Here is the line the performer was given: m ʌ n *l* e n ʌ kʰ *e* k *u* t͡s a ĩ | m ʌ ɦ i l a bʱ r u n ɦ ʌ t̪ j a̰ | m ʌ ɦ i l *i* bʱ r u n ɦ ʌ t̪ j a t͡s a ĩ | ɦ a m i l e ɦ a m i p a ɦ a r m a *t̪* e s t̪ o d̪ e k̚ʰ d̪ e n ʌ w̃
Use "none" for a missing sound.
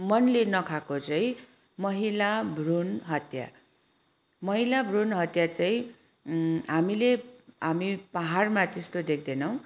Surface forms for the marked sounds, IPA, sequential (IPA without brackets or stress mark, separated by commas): l, a, o, a, t̪